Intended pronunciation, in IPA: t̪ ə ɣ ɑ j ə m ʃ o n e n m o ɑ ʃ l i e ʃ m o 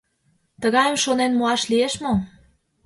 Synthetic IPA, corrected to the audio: t̪ ə ɣ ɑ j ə m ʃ o n e n m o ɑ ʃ l i e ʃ m o